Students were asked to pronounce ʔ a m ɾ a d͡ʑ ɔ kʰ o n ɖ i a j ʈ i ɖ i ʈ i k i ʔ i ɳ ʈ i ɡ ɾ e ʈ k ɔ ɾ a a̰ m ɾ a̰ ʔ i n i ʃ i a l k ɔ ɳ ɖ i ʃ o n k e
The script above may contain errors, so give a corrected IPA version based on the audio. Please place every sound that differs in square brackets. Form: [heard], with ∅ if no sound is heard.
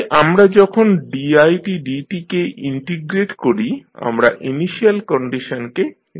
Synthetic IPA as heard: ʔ a m ɾ a d͡ʑ ɔ kʰ o n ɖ i a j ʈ i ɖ i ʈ i k [e] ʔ i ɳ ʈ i ɡ ɾ e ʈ k [o] ɾ [i] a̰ m ɾ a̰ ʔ i n i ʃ i a l k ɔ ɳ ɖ i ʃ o n k e

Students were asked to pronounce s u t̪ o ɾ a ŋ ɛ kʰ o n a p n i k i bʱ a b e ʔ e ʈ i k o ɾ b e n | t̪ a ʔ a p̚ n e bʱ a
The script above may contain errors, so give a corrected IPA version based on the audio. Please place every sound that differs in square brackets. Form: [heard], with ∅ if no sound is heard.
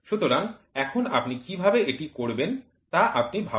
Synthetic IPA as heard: [ʃ] u t̪ o ɾ a ŋ ɛ kʰ o n a p n i k i bʱ a b e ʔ e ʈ i k o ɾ b e n | t̪ a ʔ a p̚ n [i] bʱ a

